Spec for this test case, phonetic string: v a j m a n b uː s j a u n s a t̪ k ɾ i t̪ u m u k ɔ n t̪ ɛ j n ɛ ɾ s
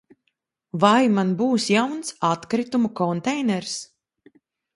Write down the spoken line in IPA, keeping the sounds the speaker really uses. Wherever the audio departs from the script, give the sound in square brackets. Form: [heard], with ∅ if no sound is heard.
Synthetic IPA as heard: v a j m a n b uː s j a [w] n s a t̪ k ɾ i t̪ u m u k ɔ n t̪ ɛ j n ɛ ɾ s